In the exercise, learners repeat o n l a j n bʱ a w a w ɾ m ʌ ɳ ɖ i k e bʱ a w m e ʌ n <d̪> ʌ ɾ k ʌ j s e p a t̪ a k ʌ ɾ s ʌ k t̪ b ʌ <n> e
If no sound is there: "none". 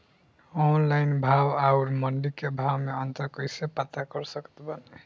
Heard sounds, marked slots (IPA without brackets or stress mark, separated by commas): t̪, n